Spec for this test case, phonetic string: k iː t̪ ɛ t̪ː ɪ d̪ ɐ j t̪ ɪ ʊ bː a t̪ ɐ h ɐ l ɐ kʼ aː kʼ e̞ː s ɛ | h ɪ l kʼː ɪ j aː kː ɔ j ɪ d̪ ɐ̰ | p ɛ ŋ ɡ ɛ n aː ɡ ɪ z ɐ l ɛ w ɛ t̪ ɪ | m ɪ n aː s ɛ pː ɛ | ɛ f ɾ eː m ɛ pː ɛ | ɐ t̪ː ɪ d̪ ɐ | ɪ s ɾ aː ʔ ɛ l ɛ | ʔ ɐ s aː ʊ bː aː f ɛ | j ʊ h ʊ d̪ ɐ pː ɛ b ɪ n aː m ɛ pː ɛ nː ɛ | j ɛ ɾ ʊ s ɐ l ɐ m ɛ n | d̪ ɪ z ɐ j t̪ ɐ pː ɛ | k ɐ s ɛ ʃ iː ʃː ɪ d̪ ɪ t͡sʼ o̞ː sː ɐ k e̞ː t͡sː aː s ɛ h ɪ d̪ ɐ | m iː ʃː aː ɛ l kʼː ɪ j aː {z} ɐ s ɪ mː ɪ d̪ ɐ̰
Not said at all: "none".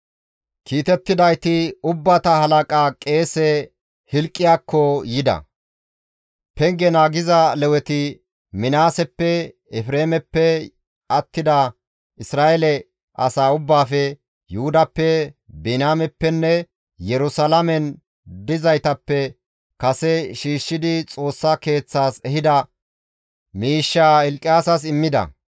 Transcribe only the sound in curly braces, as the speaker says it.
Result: s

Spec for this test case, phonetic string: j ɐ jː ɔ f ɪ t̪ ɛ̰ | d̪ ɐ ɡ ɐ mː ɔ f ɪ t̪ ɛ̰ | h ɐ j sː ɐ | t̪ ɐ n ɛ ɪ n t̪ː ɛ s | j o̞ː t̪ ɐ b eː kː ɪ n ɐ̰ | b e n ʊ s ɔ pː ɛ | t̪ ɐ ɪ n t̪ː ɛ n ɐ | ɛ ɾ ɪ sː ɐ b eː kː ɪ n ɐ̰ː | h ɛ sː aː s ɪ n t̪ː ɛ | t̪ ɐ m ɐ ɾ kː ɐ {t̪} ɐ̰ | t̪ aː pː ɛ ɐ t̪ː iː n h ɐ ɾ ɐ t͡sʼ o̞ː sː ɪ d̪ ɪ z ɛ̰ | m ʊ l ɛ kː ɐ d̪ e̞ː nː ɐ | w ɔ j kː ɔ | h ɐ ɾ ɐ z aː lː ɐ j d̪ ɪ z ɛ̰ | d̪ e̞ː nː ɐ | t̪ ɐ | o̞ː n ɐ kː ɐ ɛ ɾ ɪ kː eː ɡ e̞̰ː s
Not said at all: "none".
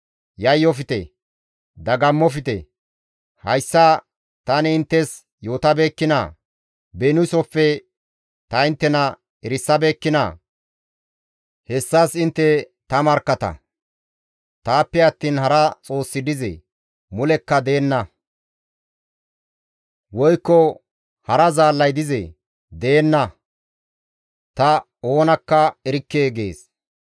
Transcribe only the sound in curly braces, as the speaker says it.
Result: t̪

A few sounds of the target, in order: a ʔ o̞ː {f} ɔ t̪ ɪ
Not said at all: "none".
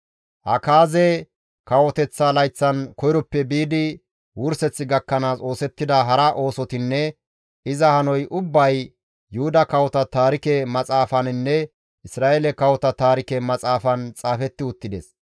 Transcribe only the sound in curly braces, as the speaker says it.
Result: s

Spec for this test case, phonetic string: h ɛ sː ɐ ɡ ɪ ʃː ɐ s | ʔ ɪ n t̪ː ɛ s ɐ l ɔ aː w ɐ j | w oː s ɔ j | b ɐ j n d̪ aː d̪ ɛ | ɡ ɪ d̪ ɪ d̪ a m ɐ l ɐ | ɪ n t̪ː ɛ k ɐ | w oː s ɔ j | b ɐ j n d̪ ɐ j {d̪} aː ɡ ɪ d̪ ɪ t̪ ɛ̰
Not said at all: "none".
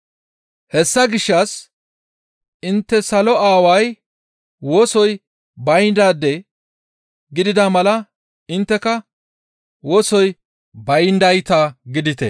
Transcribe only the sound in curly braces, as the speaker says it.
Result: t̪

